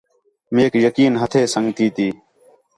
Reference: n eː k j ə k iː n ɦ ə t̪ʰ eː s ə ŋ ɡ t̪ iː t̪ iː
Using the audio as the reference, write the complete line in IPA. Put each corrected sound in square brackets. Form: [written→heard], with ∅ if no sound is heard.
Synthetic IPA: [n→m] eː k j ə k iː n ɦ ə t̪ʰ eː s ə ŋ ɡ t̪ iː t̪ iː